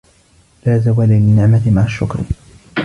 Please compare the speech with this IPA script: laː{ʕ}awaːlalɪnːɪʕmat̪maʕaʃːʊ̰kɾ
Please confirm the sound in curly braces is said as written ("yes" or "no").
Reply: no